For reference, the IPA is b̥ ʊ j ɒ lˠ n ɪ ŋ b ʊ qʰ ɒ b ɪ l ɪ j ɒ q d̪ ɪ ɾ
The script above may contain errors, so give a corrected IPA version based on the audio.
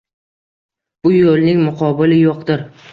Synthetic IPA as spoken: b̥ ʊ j o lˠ n ɪ ŋ m ʊ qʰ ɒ b ɪ l ɪ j o q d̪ ɪ ɾ